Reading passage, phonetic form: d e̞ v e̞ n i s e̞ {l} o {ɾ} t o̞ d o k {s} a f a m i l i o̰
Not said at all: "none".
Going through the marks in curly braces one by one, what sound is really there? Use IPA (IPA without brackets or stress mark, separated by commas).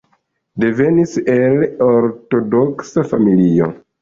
l, ɾ, s